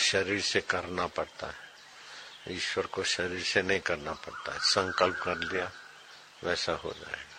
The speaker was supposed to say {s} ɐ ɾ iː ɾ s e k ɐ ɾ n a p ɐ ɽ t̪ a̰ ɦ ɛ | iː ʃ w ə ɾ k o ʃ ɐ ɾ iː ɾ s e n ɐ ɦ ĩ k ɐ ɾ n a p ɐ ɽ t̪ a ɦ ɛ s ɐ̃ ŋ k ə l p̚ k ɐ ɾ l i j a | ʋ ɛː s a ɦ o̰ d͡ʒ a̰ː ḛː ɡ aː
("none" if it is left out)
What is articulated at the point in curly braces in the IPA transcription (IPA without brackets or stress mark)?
ʃ